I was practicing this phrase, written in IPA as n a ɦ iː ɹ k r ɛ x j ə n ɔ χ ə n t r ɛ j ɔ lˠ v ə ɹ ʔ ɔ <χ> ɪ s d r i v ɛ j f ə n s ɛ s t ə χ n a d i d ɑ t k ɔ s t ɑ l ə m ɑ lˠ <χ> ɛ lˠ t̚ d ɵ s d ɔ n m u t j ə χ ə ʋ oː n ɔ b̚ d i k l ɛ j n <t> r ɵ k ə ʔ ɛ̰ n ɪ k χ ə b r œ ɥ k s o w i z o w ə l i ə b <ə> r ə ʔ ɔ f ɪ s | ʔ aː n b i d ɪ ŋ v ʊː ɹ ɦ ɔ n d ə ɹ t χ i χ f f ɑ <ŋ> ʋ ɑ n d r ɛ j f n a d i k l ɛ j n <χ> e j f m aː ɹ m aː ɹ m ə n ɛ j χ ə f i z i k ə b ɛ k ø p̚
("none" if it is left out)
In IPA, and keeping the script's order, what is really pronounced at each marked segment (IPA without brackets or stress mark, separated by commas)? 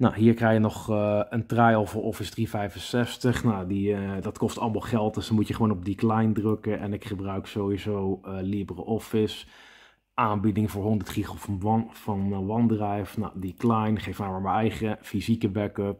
f, χ, d, ə, n, χ